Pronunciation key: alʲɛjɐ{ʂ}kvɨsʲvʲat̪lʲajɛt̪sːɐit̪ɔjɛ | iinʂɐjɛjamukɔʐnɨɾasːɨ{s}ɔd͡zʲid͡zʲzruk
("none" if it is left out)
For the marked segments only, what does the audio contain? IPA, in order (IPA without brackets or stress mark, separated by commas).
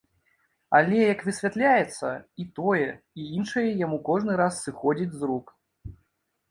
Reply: none, x